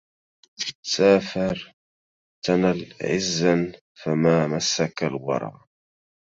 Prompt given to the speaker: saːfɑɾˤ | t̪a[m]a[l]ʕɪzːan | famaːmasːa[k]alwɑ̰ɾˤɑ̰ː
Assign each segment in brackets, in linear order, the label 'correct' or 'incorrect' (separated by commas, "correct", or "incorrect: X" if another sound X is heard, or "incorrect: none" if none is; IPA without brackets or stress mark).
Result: incorrect: n, correct, correct